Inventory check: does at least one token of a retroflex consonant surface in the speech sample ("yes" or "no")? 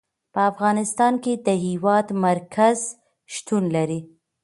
no